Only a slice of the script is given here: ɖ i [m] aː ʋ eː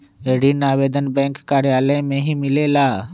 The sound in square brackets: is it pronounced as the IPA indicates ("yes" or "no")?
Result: no